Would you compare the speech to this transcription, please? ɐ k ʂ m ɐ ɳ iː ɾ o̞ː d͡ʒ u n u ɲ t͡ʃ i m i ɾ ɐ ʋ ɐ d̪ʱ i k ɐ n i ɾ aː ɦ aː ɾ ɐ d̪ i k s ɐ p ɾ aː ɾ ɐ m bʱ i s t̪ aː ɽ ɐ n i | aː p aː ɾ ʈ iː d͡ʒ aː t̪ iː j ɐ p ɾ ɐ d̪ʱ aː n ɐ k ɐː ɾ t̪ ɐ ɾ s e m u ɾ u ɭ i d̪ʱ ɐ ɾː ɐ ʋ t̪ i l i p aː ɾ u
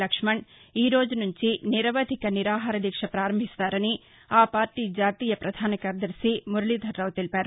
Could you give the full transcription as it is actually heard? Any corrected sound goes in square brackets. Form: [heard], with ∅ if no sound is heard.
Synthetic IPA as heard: ɐ k ʂ m ɐ ɳ iː ɾ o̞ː d͡ʒ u n u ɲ t͡ʃ i [n] i ɾ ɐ ʋ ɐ d̪ʱ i k ɐ n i ɾ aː ɦ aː ɾ ɐ d̪ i k [ʂ] ɐ p ɾ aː ɾ ɐ m bʱ i s t̪ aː [ɾ] ɐ n i | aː p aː ɾ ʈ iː d͡ʒ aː t̪ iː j ɐ p ɾ ɐ d̪ʱ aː n ɐ k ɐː ɾ [d̪] ɐ ɾ s [i] m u ɾ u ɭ i d̪ʱ ɐ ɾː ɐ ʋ t̪ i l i p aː ɾ u